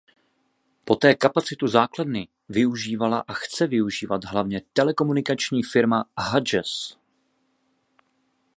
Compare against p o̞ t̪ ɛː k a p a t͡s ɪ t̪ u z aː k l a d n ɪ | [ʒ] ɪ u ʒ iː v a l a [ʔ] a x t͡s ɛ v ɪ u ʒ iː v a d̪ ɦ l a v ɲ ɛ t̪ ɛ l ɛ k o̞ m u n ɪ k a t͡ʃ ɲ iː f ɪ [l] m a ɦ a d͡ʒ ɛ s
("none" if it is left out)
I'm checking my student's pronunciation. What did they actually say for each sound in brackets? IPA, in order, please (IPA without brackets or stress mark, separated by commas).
v, ʔ, ɾ